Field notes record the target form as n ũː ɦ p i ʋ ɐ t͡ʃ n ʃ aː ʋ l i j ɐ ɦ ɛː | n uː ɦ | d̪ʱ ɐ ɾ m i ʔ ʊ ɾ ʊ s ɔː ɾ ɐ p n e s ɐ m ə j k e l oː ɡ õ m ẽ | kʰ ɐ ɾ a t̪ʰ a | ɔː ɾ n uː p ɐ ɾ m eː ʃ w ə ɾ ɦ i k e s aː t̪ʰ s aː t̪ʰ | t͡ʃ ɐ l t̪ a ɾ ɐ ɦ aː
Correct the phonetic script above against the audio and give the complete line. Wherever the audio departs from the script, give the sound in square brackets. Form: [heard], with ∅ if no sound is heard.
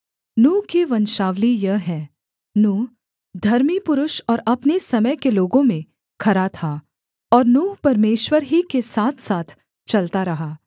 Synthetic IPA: n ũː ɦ [k] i ʋ ɐ [∅] n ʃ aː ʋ l i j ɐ ɦ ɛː | n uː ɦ | d̪ʱ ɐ ɾ m i [p] ʊ ɾ ʊ [ʃ] ɔː ɾ ɐ p n e s ɐ m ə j k e l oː ɡ õ m ẽ | kʰ ɐ ɾ a t̪ʰ a | ɔː ɾ n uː p ɐ ɾ m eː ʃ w ə ɾ ɦ i k e s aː t̪ʰ s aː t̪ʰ | t͡ʃ ɐ l t̪ a ɾ ɐ ɦ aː

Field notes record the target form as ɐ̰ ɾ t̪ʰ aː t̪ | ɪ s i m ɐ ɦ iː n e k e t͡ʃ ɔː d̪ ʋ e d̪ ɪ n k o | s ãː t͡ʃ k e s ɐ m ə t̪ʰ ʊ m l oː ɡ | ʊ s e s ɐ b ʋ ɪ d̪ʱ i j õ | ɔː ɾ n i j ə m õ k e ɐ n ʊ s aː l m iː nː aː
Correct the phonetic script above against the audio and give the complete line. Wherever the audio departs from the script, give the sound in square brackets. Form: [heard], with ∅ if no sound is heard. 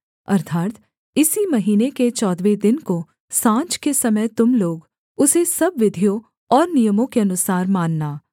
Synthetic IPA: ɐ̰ ɾ t̪ʰ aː t̪ | ɪ s i m ɐ ɦ iː n e k e t͡ʃ ɔː d̪ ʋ e d̪ ɪ n k o | s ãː t͡ʃ k e s ɐ m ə [t̪] ʊ m l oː ɡ | ʊ s e s ɐ b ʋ ɪ d̪ʱ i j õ | ɔː ɾ n i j ə m õ k e ɐ n ʊ s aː [ɾ] m [aː] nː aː

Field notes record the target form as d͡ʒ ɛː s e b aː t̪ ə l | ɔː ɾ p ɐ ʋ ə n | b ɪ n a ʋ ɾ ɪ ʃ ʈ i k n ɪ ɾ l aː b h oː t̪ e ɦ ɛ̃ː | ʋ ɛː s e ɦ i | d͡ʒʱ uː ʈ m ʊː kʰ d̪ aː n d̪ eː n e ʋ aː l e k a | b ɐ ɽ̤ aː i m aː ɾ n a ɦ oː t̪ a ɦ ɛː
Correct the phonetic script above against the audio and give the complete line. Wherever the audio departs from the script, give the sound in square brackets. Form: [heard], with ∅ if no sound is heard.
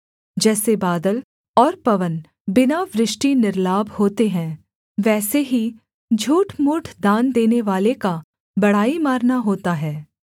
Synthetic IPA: d͡ʒ ɛː s e b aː [d̪] ə l | ɔː ɾ p ɐ ʋ ə n | b ɪ n a ʋ ɾ ɪ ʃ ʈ i [∅] n ɪ ɾ l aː b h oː t̪ e ɦ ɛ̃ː | ʋ ɛː s e ɦ i | d͡ʒʱ uː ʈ m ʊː [ʈʰ] d̪ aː n d̪ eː n e ʋ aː l e k a | b ɐ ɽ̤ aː i m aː ɾ n a ɦ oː t̪ a ɦ ɛː

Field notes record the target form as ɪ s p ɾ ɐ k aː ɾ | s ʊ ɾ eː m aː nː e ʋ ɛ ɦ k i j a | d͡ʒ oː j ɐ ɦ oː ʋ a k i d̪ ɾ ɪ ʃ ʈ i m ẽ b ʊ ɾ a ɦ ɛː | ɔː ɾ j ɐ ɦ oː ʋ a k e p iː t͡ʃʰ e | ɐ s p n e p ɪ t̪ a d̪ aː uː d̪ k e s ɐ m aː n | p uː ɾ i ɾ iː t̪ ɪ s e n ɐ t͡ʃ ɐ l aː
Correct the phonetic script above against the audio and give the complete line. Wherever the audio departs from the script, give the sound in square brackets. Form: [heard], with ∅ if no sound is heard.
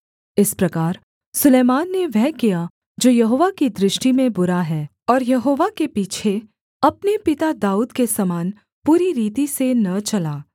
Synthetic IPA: ɪ s p ɾ ɐ k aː ɾ | s ʊ [l] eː m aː nː e ʋ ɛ ɦ k i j a | d͡ʒ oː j ɐ ɦ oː ʋ a k i d̪ ɾ ɪ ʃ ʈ i m ẽ b ʊ ɾ a ɦ ɛː | ɔː ɾ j ɐ ɦ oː ʋ a k e p iː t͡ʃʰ e | ɐ [∅] p n e p ɪ t̪ a d̪ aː uː d̪ k e s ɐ m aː n | p uː ɾ i ɾ iː t̪ [i] s e n ɐ t͡ʃ ɐ l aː

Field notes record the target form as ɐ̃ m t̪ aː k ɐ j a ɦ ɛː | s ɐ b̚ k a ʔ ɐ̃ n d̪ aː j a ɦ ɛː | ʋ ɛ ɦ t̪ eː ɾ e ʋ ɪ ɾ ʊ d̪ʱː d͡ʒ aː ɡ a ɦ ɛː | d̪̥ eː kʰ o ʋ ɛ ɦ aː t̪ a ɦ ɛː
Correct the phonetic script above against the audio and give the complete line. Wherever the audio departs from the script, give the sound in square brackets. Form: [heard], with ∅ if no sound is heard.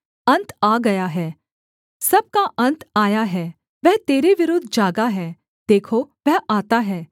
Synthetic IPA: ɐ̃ [n] t̪ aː [ɡ] ɐ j a ɦ ɛː | s ɐ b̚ k a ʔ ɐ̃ n [t̪] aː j a ɦ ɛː | ʋ ɛ ɦ t̪ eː ɾ e ʋ ɪ ɾ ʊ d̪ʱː d͡ʒ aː ɡ a ɦ ɛː | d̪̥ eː kʰ o ʋ ɛ ɦ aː t̪ a ɦ ɛː

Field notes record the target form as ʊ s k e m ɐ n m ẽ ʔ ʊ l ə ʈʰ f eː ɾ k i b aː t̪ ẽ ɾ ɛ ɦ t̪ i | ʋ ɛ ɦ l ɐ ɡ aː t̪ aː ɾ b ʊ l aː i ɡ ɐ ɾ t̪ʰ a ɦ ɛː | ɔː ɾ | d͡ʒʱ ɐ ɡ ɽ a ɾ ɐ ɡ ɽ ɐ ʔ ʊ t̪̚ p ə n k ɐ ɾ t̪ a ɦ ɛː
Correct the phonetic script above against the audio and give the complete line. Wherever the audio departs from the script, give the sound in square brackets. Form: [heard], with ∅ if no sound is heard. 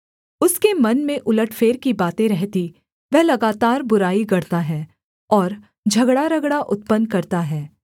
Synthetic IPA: ʊ s k e m ɐ n m ẽ ʔ ʊ l ə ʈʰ f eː ɾ k i b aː t̪ ẽ ɾ ɛ ɦ t̪ i | ʋ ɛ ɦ l ɐ ɡ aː t̪ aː ɾ b ʊ [ɾ] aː i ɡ ɐ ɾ [t̪] a ɦ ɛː | ɔː ɾ | d͡ʒʱ ɐ ɡ ɽ a ɾ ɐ ɡ ɽ [a] ʔ ʊ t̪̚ p ə n k ɐ ɾ t̪ a ɦ ɛː

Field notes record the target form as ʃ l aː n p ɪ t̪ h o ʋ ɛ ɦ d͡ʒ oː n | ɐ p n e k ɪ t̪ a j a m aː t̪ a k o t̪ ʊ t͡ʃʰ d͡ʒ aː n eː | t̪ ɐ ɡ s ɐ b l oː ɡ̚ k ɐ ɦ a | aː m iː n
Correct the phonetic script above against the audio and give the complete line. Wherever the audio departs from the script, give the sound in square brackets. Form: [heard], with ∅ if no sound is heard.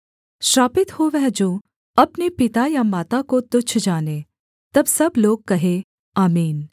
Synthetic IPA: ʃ [ɾ] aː [∅] p ɪ t̪ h o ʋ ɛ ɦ d͡ʒ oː [∅] | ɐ p n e [p] ɪ t̪ a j a m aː t̪ a k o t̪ ʊ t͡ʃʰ d͡ʒ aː n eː | t̪ ɐ [b] s ɐ b l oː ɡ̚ k ɐ ɦ [e] | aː m iː n

